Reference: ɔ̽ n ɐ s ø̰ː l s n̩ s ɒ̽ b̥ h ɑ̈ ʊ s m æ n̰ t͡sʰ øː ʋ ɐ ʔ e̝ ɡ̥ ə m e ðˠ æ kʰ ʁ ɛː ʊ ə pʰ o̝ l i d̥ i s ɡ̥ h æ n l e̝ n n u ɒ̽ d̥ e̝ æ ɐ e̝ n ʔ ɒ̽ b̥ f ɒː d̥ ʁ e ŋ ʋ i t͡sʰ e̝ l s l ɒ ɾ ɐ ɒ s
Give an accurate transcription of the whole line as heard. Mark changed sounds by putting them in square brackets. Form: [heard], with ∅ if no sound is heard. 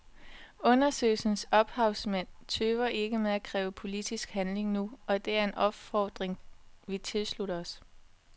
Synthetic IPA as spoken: ɔ̽ n ɐ s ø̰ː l s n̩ s ɒ̽ b̥ h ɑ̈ ʊ s m æ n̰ t͡sʰ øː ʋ ɐ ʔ e̝ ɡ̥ ə m e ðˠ æ kʰ ʁ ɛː ʊ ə pʰ o̝ l i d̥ i s ɡ̥ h æ n l e̝ [ŋ] n u ɒ̽ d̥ e̝ æ ɐ e̝ n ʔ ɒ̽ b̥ f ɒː d̥ ʁ e ŋ ʋ i t͡sʰ e̝ l s l [u] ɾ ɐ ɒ s

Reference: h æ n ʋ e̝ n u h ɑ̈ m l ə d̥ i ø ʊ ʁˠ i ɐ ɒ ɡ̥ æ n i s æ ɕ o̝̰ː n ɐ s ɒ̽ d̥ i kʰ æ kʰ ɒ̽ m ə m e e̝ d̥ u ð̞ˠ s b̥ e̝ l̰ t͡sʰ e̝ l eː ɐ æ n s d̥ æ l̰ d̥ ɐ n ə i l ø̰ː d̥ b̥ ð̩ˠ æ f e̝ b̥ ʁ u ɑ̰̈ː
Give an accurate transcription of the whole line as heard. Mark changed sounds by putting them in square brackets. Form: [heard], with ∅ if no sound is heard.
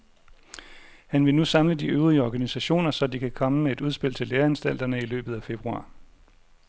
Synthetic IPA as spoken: h æ n ʋ e̝ n u [s] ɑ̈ m l ə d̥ i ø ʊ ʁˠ i [ə] ɒ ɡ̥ æ n i s æ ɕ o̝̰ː n ɐ s ɒ̽ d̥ i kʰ æ kʰ ɒ̽ m ə m e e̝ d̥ u ð̞ˠ s b̥ e̝ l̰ t͡sʰ e̝ l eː ɐ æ n s d̥ æ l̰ d̥ ɐ n ə i l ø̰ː [∅] b̥ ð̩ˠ æ f e̝ b̥ ʁ u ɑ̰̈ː

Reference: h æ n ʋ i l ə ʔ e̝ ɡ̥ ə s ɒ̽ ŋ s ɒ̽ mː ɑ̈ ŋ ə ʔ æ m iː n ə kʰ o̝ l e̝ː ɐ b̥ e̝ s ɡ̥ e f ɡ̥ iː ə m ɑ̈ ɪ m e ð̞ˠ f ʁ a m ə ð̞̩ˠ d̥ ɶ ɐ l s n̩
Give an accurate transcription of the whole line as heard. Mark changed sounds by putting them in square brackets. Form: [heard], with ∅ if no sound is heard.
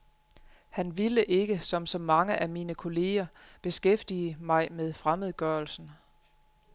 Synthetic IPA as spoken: h æ n ʋ i l ə ʔ e̝ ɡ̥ ə s ɒ̽ [m] s ɒ̽ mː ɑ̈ ŋ ə ʔ æ m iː n ə kʰ o̝ l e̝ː ɐ b̥ e̝ s ɡ̥ e f [d̥] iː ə m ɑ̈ ɪ m e ð̞ˠ f ʁ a m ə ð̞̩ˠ [ɡ̥] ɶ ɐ l s n̩

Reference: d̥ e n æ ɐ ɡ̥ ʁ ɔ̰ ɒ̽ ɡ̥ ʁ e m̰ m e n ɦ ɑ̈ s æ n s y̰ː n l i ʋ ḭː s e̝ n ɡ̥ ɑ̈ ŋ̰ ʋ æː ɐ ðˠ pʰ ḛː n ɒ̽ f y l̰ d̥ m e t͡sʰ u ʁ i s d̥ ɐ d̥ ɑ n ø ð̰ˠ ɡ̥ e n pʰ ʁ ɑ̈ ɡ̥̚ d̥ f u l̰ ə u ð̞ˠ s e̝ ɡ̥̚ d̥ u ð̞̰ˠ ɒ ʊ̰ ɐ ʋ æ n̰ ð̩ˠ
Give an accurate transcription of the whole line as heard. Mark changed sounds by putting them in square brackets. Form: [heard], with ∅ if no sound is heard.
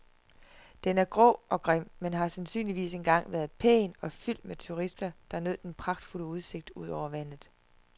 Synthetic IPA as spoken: d̥ e n æ ɐ ɡ̥ ʁ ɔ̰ ɒ̽ ɡ̥ ʁ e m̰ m e n ɦ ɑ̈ s æ n s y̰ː n l i ʋ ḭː s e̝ n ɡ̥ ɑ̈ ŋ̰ ʋ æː ɐ ðˠ pʰ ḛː n ɒ̽ f y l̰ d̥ m e t͡sʰ u ʁ i s d̥ ɐ d̥ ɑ n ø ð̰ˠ [d̥] e n pʰ ʁ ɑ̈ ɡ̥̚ d̥ f u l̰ ə u ð̞ˠ s e̝ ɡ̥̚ d̥ u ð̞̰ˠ ɒ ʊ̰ ɐ ʋ æ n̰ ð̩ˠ

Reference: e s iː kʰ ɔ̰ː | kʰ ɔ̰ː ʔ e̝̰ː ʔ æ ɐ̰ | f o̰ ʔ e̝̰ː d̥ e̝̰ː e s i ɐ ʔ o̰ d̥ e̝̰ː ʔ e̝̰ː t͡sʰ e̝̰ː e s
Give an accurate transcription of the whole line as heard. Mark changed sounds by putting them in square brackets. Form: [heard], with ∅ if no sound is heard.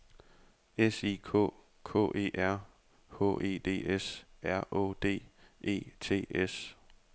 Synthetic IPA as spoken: e s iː kʰ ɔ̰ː | kʰ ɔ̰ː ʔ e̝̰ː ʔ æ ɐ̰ | [h] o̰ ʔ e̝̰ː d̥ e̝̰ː e s [æ] ɐ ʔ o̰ d̥ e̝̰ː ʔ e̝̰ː t͡sʰ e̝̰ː e s

